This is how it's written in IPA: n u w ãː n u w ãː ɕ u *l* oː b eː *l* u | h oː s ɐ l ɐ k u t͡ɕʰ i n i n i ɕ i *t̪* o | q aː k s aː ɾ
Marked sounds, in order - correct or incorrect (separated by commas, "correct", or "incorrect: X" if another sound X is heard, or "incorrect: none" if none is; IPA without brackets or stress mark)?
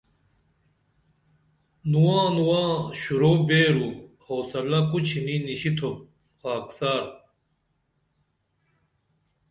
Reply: incorrect: ɾ, incorrect: ɾ, incorrect: t̪ʰ